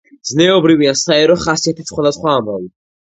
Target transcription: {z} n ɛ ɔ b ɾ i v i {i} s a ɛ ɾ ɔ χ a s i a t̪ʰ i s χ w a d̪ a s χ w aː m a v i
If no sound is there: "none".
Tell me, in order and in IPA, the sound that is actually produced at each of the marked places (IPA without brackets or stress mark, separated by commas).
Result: z, a